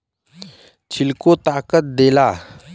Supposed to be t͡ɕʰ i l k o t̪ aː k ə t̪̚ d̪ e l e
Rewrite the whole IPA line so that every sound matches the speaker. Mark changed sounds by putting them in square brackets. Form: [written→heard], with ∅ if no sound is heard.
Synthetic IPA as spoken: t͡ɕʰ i l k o t̪ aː k ə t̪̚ d̪ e l [e→a]